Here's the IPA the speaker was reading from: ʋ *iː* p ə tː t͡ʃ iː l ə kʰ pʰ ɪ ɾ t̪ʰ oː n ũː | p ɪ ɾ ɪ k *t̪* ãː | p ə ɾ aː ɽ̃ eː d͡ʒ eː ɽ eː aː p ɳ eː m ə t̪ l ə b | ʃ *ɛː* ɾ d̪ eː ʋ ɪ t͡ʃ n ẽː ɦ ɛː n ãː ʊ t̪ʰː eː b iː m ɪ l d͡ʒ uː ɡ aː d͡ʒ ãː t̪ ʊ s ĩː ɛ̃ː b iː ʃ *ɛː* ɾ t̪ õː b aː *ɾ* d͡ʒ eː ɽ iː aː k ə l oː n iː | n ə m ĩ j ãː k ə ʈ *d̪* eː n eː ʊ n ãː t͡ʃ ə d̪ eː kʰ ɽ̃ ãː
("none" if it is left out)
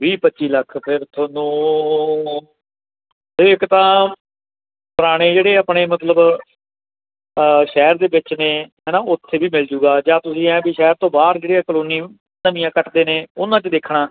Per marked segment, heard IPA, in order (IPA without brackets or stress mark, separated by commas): iː, t̪, ɛː, ɛː, ɾ, d̪